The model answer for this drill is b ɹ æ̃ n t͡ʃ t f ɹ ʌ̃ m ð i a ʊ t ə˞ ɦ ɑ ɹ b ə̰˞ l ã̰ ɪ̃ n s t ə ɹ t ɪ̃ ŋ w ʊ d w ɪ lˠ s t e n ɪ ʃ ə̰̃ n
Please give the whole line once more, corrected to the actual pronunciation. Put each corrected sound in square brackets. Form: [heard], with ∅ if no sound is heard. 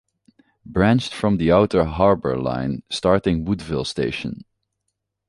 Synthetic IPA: b ɹ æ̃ n t͡ʃ t f ɹ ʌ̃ m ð i a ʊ t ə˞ ɦ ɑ ɹ b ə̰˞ l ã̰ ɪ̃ n s t [ɑ] ɹ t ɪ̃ ŋ w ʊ d [v] ɪ lˠ s t e [∅] ɪ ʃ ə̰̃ n